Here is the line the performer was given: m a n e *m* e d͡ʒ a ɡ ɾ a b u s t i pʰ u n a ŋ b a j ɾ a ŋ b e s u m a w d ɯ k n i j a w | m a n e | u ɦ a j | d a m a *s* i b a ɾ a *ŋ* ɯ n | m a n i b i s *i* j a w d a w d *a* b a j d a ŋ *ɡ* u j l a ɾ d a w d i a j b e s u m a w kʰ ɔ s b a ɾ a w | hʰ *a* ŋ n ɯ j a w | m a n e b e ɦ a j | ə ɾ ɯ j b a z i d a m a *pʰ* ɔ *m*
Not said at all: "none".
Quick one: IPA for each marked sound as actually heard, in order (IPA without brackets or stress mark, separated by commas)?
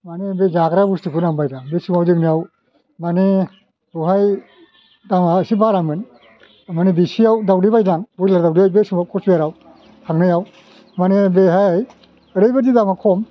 b, s, m, i, i, b, a, kʰ, m